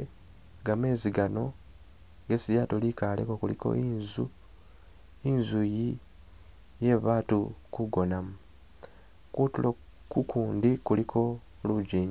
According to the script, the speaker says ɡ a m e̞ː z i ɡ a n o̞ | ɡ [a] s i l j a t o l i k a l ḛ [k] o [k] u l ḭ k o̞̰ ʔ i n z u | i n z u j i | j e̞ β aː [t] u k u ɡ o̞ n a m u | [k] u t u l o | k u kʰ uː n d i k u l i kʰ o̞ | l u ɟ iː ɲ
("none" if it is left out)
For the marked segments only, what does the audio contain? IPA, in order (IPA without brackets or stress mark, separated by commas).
e, k, k, t, k